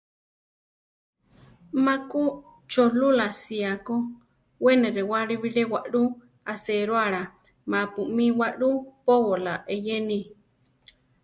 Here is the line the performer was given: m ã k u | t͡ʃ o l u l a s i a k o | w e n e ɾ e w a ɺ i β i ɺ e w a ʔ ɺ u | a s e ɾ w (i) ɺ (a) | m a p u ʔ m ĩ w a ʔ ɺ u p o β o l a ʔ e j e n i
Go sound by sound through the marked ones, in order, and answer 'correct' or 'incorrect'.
incorrect, correct

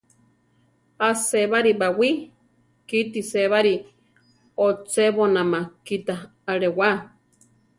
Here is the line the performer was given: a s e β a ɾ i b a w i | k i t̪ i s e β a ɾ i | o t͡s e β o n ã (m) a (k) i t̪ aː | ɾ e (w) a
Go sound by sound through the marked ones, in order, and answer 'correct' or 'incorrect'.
correct, correct, correct

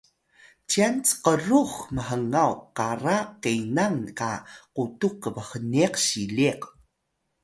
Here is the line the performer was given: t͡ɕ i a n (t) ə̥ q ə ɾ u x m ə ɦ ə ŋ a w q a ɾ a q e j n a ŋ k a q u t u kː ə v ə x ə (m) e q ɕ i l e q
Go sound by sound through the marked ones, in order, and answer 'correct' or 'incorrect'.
incorrect, incorrect

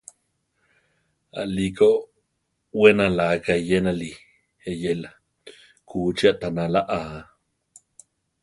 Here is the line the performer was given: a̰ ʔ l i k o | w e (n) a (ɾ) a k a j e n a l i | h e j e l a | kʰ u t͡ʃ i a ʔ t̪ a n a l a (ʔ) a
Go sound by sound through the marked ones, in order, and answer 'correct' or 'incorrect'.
correct, incorrect, correct

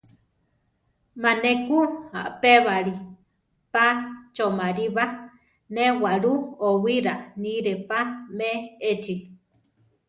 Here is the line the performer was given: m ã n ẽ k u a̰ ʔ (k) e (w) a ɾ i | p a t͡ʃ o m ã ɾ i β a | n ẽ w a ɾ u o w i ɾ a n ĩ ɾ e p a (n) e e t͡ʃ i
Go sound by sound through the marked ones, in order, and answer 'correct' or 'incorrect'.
incorrect, incorrect, incorrect

